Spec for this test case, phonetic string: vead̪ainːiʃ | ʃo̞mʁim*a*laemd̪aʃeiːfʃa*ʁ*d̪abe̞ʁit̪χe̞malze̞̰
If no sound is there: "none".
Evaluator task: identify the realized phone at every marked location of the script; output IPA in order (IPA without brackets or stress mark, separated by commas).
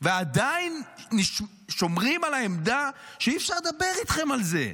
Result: a, ʁ